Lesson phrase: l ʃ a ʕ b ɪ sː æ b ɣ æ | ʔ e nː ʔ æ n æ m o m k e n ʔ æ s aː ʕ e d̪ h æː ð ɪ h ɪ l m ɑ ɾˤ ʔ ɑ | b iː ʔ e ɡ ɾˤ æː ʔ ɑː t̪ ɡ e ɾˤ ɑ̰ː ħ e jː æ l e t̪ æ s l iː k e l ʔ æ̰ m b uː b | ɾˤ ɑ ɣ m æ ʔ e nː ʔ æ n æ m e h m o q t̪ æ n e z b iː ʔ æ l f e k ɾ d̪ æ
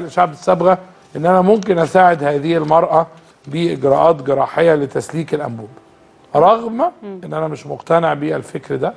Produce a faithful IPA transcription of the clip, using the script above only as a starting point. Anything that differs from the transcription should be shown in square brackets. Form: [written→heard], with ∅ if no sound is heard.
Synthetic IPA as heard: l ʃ a ʕ b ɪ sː æ b ɣ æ | ʔ e nː ʔ æ n æ m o m k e n ʔ æ s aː ʕ e d̪ h æː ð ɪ h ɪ l m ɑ ɾˤ ʔ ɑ | b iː ʔ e ɡ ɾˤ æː ʔ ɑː t̪ ɡ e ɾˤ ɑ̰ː ħ e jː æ l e t̪ æ s l iː k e l ʔ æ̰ m b uː b | ɾˤ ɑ ɣ m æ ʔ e nː ʔ æ n æ m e [h→ʃ] m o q t̪ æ n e [z→ʕ] b iː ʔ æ l f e k ɾ d̪ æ